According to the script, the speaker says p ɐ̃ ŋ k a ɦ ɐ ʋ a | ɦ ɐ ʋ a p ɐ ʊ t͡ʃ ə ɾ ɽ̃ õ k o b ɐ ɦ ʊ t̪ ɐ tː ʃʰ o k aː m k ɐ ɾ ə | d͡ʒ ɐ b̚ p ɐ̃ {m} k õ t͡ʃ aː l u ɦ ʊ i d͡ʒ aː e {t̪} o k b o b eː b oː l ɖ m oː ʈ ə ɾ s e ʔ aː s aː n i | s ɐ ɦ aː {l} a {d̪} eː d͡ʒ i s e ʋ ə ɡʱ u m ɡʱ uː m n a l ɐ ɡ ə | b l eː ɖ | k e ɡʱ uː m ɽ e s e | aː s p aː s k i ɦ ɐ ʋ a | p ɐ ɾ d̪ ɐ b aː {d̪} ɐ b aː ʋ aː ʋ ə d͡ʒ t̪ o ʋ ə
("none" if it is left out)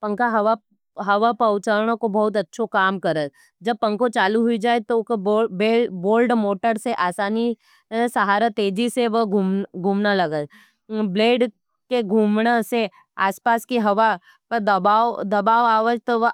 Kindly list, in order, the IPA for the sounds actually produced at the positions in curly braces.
ŋ, t̪, ɾ, t̪, d̪

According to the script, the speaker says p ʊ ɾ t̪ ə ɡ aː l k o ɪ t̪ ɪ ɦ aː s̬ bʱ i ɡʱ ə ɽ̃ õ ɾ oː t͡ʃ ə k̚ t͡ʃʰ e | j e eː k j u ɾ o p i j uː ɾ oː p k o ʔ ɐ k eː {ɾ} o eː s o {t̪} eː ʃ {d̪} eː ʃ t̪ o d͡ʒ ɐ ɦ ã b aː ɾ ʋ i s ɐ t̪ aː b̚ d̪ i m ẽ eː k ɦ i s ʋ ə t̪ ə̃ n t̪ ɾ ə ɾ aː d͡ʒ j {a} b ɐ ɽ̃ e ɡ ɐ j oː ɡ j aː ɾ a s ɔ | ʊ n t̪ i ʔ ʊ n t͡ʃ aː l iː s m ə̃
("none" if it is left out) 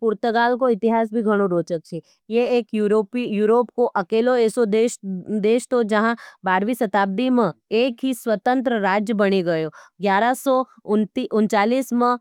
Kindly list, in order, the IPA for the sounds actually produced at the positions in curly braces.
l, d̪, d̪, ə

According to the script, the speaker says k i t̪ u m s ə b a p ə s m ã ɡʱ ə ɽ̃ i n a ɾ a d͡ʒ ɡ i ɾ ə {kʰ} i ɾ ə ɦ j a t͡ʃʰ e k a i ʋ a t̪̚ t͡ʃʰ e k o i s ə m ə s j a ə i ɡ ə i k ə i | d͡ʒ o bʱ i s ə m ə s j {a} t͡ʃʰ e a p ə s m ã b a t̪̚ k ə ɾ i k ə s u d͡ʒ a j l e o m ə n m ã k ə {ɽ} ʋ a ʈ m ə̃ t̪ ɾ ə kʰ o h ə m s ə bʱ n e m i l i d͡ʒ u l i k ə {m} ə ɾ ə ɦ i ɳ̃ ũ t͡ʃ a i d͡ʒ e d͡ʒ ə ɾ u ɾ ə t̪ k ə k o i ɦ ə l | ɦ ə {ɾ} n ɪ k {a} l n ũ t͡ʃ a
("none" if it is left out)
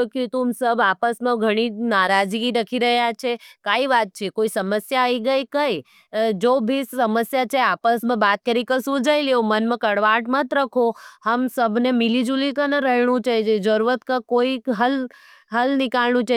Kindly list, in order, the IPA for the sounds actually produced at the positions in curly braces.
kʰ, a, ɽ, n, l, a

